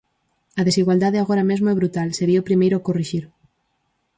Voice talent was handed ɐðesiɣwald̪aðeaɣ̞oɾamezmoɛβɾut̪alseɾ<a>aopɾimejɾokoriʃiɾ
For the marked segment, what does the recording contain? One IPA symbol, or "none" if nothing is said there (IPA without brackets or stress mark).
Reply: i